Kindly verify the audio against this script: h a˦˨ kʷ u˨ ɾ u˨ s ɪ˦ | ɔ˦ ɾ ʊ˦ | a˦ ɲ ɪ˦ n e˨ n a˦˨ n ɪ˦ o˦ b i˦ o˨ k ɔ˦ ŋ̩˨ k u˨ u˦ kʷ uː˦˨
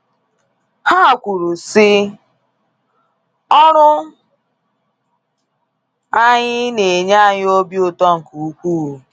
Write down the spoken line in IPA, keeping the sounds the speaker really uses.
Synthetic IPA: h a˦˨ kʷ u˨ ɾ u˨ s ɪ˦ | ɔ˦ ɾ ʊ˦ | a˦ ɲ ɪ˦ n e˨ ɲ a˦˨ ɲ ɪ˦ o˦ b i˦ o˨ t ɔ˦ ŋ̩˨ k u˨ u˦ kʷ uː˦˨